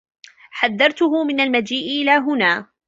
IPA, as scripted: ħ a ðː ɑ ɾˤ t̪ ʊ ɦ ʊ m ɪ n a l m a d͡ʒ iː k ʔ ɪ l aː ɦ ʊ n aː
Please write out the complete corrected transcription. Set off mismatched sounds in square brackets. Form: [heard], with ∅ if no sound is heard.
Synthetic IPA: ħ a ðː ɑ ɾˤ t̪ ʊ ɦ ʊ m ɪ n a l m a d͡ʒ iː [ʔ] ʔ ɪ l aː ɦ ʊ n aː